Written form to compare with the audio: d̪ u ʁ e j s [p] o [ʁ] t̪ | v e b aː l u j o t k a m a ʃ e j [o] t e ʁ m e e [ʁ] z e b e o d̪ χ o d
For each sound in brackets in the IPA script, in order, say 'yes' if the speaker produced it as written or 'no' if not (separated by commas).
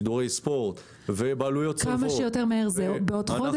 yes, yes, yes, yes